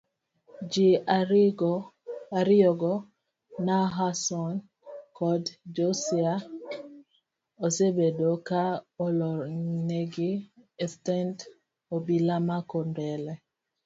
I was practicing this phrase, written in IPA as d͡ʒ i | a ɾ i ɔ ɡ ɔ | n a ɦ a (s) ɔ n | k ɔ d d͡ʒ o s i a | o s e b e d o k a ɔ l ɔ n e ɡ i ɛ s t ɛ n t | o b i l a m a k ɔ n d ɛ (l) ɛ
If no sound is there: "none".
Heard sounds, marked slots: s, l

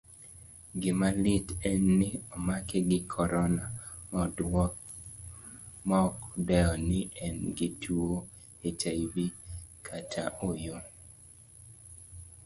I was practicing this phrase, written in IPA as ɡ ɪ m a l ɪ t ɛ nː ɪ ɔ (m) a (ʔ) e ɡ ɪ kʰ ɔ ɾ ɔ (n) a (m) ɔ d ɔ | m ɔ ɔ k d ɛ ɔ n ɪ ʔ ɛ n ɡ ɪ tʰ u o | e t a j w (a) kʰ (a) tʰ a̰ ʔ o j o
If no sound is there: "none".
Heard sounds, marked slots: m, k, n, m, i, a

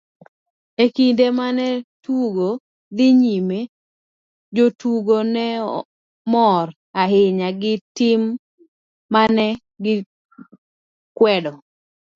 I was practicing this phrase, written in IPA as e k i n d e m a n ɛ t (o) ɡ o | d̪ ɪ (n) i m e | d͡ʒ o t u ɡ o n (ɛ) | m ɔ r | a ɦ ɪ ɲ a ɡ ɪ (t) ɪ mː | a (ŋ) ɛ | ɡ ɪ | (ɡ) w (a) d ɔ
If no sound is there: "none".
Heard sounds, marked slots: u, ɲ, ɛ, t, n, k, ɛ

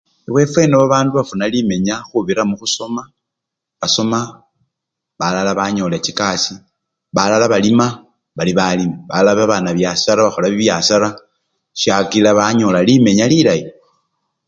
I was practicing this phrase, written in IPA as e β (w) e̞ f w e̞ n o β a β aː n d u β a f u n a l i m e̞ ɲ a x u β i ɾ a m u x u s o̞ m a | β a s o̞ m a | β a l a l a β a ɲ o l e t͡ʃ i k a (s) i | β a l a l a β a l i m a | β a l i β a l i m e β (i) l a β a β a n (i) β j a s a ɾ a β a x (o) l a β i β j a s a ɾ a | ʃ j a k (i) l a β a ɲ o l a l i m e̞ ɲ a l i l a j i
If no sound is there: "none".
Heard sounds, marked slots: w, s, a, a, o, i

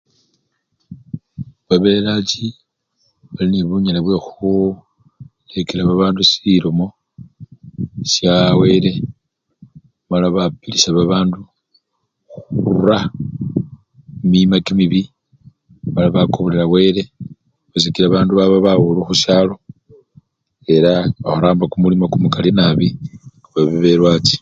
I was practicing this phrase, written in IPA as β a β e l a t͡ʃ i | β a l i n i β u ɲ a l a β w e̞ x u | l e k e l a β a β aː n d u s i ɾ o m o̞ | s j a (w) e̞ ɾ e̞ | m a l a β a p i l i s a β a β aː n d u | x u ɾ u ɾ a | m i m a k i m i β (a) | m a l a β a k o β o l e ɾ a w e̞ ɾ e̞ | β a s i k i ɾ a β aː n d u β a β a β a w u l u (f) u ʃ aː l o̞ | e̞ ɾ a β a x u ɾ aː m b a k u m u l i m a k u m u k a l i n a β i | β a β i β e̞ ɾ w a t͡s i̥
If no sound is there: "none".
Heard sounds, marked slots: w, i, x

